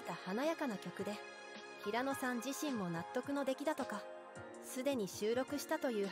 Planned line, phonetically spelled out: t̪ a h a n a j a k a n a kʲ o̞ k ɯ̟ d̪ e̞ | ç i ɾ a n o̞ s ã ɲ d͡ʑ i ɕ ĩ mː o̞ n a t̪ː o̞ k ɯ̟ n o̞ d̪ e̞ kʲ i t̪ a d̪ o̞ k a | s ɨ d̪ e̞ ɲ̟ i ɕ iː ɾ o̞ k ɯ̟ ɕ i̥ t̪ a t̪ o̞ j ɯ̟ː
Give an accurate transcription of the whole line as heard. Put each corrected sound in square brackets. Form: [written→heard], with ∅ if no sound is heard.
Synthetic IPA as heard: t̪ a h a n a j a k a n a kʲ o̞ k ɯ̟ d̪ e̞ | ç i ɾ a n o̞ s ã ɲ d͡ʑ i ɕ ĩ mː o̞ n a t̪ː o̞ k ɯ̟ n o̞ d̪ e̞ kʲ i [t̪→d̪] a [d̪→t̪] o̞ k a | s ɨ d̪ e̞ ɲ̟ i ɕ [iː→ɨː] ɾ o̞ k ɯ̟ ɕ i̥ t̪ a t̪ o̞ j ɯ̟ː

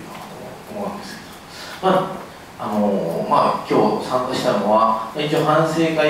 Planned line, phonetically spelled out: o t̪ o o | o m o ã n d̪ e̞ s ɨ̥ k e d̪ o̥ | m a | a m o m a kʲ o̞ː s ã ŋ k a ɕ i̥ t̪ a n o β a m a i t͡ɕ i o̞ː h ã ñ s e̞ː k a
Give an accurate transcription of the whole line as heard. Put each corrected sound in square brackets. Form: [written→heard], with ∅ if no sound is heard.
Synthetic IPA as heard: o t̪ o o | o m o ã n d̪ e̞ s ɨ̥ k e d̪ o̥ | m a | a [m→n] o m a kʲ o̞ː s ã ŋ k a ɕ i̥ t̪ a n o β a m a i t͡ɕ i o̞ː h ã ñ s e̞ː k a

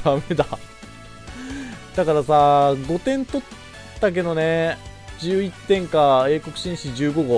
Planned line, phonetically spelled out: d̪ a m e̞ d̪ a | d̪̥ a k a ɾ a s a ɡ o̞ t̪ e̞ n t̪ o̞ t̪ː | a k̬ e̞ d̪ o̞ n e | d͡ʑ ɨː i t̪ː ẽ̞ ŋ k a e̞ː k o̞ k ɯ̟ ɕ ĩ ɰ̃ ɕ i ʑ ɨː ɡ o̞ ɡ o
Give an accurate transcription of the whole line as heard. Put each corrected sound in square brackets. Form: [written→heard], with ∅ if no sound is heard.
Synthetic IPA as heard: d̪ a m e̞ d̪ a | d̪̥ a k a ɾ a s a ɡ o̞ t̪ [e̞→ẽ̞] n t̪ o̞ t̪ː | a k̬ e̞ d̪ o̞ n e | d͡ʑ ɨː i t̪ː ẽ̞ ŋ k a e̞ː k o̞ k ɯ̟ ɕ ĩ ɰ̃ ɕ i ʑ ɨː ɡ o̞ ɡ o

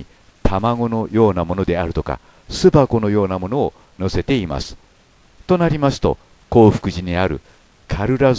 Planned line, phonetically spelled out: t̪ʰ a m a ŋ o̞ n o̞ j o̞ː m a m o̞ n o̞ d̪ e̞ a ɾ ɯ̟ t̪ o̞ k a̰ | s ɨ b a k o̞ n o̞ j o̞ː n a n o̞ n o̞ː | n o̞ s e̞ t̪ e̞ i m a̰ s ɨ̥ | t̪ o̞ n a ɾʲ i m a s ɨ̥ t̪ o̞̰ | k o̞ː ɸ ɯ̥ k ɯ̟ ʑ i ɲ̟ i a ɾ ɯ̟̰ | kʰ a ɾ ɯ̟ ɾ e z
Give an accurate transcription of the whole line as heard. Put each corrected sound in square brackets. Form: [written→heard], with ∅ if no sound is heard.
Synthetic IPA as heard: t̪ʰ a m a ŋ o̞ n o̞ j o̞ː [m→n] a m o̞ n o̞ d̪ e̞ a ɾ ɯ̟ t̪ o̞ k a̰ | s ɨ b a k o̞ n o̞ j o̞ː n a [n→m] o̞ n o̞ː | n o̞ s e̞ t̪ e̞ i m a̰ s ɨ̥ | t̪ o̞ n a ɾʲ i m a s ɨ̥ t̪ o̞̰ | k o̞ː ɸ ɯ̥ k ɯ̟ ʑ i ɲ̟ i a ɾ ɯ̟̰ | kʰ a ɾ ɯ̟ ɾ [e→a] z

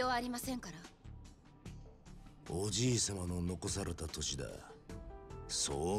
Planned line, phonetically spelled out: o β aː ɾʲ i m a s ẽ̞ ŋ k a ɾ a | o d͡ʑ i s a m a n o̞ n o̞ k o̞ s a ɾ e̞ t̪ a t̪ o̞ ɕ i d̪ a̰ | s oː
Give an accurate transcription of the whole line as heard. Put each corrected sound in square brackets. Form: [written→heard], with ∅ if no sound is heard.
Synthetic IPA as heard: o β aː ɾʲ i m a s ẽ̞ ŋ k a ɾ a | o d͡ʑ [i→iː] s a m a n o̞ n o̞ k o̞ s a ɾ e̞ t̪ a t̪ o̞ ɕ i d̪ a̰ | s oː

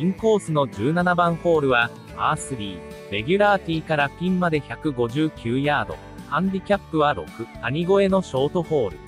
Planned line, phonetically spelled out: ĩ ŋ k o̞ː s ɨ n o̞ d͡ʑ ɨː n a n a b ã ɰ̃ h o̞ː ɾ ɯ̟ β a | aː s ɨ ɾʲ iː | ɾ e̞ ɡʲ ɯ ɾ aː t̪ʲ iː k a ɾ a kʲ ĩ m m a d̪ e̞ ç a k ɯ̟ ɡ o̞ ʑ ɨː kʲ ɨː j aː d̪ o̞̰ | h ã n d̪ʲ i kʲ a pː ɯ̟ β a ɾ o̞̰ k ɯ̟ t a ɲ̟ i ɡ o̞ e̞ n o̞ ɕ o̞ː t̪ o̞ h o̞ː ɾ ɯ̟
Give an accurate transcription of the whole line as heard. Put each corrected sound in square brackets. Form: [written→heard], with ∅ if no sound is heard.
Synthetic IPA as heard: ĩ ŋ k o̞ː s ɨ n o̞ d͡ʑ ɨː n a n a b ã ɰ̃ h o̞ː ɾ ɯ̟ β a | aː s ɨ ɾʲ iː | ɾ e̞ ɡʲ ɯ ɾ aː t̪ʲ iː k a ɾ a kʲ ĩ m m a d̪ e̞ ç a k ɯ̟ ɡ o̞ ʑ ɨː kʲ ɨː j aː d̪ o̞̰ | h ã n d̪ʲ i kʲ a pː ɯ̟ β a ɾ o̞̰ k ɯ̟ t a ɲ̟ i ɡ o̞ e̞ n o̞ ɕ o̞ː t̪ o̞ h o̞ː ɾ ɯ̟

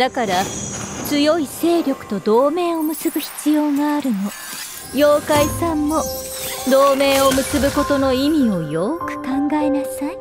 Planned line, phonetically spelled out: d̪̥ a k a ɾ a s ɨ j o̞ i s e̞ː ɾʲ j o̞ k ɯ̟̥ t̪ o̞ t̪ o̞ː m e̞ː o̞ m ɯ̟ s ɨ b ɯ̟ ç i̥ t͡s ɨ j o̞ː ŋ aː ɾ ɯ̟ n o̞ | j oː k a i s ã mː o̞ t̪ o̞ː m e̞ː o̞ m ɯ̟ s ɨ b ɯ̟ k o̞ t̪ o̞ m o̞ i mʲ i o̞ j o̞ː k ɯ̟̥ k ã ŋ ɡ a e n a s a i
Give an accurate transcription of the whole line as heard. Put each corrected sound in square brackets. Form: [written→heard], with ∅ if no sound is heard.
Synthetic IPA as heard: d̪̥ a k a ɾ a [s→t͡s] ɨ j o̞ i s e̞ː ɾʲ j o̞ k ɯ̟̥ t̪ o̞ [t̪→d̪] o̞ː m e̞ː o̞ m ɯ̟ s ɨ b ɯ̟ ç i̥ t͡s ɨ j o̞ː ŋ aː ɾ ɯ̟ n o̞ | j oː k a i s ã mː o̞ [t̪→d̪] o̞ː m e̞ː o̞ m ɯ̟ s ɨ b ɯ̟ k o̞ t̪ o̞ [m→n] o̞ i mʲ i o̞ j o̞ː k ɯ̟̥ k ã ŋ ɡ a e n a s a i

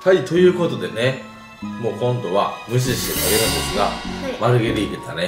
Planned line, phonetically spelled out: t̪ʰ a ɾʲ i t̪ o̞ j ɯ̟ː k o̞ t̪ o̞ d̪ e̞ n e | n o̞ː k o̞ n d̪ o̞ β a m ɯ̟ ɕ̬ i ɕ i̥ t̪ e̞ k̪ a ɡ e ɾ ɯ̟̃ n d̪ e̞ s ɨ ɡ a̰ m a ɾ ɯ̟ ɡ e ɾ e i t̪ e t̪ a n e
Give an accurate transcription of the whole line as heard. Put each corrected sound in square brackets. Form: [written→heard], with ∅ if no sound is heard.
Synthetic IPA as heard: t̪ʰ a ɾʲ i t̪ o̞ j ɯ̟ː k o̞ t̪ o̞ d̪ e̞ n e | [n→m] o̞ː k [o̞→õ̞] n d̪ o̞ β a m ɯ̟ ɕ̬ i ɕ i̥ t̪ e̞ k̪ a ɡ e ɾ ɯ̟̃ n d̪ e̞ s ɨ ɡ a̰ m a ɾ ɯ̟ ɡ e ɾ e i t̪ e t̪ a n e

